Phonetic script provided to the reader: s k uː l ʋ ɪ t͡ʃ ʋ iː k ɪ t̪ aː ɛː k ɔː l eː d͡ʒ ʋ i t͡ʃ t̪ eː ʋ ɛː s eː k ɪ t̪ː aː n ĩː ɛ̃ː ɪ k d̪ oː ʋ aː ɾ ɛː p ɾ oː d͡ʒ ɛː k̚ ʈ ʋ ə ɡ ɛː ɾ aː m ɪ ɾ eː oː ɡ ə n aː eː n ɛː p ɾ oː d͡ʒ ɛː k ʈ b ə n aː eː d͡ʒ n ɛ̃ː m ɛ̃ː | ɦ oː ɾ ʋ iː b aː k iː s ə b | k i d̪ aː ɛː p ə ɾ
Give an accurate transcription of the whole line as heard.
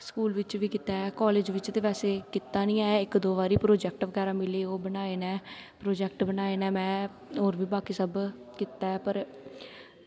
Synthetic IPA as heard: s k uː l ʋ ɪ t͡ʃ ʋ iː k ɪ t̪ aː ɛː k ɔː l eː d͡ʒ ʋ ɪ t͡ʃ t̪ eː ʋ ɛː s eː k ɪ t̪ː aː n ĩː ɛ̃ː ɪ k d̪ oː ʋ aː ɾ iː p ɾ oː d͡ʒ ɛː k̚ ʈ ʋ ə ɡ ɛː ɾ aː m ɪ l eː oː b ə n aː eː n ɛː p ɾ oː d͡ʒ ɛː k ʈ b ə n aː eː n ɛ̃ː m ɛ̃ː | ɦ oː ɾ ʋ iː b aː k iː s ə b | k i t̪ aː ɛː p ə ɾ